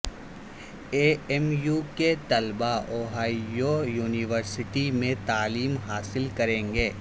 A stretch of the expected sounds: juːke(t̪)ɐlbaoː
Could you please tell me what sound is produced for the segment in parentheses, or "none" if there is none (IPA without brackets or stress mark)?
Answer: t̪